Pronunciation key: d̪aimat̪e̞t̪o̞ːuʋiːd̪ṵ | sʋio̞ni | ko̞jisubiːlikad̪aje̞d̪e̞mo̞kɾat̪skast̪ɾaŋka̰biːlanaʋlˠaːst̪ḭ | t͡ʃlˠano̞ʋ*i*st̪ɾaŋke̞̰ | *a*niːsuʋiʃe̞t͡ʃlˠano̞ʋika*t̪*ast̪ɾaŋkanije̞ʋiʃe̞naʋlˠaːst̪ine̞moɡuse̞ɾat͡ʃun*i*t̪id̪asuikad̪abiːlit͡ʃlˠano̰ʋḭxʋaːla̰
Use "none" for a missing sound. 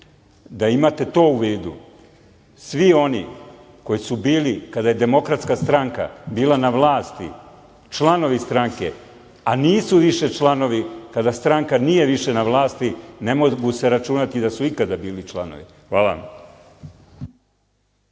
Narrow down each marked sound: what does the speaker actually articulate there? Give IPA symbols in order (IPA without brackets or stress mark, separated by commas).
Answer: i, a, d̪, a